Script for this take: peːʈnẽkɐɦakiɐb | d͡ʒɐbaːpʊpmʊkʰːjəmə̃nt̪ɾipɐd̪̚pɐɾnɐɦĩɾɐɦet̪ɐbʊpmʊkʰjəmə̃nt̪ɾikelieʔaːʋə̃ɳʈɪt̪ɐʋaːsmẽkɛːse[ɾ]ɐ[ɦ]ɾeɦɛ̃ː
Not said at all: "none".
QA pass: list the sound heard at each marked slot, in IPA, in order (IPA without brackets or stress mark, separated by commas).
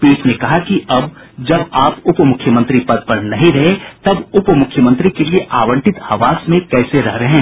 ɾ, ɦ